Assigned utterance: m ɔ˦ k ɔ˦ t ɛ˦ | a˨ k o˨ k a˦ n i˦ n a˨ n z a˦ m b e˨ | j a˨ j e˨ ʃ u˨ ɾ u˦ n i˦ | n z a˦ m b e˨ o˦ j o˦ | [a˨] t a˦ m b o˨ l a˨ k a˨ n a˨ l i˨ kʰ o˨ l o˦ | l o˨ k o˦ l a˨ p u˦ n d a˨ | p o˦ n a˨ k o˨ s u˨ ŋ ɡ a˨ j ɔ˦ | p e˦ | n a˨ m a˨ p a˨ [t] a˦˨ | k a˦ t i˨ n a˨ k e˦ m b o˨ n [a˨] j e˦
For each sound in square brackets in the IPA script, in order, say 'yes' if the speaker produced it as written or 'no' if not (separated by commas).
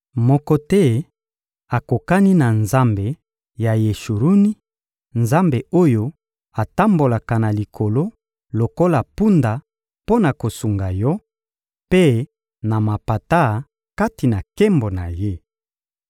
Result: yes, yes, yes